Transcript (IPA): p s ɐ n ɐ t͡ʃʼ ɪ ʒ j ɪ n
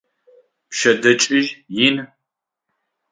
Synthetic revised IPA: p ʃ ɐ d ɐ t͡ʃʼ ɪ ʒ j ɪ n